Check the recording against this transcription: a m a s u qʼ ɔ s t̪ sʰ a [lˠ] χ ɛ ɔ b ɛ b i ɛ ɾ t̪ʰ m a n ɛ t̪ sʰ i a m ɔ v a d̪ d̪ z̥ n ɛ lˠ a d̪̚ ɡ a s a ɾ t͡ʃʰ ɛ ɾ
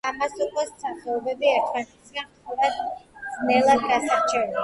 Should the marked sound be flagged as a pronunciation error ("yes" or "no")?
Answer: yes